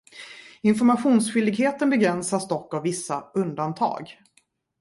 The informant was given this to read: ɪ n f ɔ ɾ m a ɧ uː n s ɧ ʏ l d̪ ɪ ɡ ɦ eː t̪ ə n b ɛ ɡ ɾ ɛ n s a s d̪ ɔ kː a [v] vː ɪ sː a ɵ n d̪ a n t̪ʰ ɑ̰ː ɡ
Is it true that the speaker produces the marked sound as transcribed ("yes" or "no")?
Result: yes